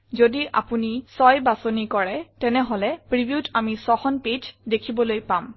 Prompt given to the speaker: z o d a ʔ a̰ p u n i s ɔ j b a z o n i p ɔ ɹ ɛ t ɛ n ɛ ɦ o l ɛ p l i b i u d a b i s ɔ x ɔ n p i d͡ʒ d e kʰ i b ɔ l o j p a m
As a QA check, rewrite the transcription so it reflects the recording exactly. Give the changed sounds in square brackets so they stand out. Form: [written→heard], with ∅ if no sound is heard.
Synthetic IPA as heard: z o d [a→i] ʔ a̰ p u n i s ɔ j b a [z→s] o n i [p→k] ɔ ɹ ɛ t ɛ n ɛ ɦ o l ɛ p [l→ɹ] i b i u [d→t] a [b→m] i s ɔ x ɔ n p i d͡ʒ d e kʰ i b ɔ l o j p a m